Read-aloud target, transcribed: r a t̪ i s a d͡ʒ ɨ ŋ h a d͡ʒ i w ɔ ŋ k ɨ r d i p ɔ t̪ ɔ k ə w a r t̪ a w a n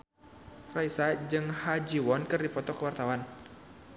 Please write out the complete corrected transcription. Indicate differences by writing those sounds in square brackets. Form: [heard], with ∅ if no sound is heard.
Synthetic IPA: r a [∅] i s a d͡ʒ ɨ ŋ h a d͡ʒ i w ɔ [n] k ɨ r d i p ɔ t̪ ɔ k ə w a r t̪ a w a n